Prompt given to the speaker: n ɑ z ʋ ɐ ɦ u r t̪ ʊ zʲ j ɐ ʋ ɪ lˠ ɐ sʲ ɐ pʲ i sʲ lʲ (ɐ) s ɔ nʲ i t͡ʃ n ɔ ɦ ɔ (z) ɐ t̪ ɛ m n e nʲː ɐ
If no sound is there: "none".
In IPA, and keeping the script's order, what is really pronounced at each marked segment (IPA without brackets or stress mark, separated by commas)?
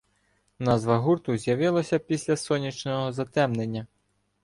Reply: ɐ, z